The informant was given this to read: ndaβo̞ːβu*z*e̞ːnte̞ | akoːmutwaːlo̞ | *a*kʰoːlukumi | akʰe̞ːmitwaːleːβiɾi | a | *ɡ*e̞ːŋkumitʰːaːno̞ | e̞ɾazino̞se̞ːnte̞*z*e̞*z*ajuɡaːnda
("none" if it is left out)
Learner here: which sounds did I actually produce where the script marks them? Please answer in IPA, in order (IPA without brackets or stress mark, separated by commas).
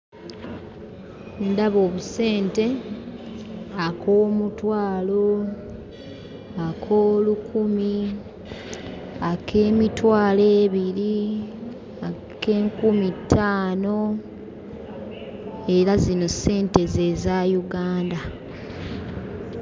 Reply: s, a, k, z, z